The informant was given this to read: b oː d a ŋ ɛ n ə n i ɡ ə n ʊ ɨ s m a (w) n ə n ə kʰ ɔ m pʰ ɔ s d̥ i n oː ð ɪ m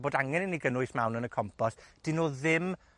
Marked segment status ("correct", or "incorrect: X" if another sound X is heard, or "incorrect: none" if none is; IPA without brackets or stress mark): correct